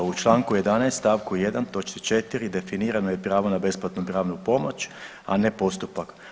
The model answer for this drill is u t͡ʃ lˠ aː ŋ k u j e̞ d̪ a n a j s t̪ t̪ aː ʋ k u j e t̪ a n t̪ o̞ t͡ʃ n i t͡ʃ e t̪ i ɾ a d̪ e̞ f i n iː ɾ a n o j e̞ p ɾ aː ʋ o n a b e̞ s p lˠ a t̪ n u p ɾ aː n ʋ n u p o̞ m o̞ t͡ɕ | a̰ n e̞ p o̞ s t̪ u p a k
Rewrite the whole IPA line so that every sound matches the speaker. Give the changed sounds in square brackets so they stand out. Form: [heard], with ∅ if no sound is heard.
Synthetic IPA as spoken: u t͡ʃ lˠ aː ŋ k u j e̞ d̪ a n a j s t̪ t̪ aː ʋ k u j e [d̪] a n t̪ o̞ t͡ʃ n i t͡ʃ e t̪ i ɾ [i] d̪ e̞ f i n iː ɾ a n o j e̞ p ɾ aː ʋ o n a b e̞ s p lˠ a t̪ n u p ɾ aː [∅] ʋ n u p o̞ m o̞ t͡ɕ | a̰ n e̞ p o̞ s t̪ u p a k